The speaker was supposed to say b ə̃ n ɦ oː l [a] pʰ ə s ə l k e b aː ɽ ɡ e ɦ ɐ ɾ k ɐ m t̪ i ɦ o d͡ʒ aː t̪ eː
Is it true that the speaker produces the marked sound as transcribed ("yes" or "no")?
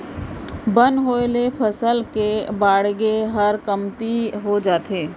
no